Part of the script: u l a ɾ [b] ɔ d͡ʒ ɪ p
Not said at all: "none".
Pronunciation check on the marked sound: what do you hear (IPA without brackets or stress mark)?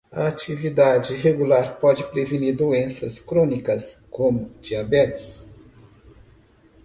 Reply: p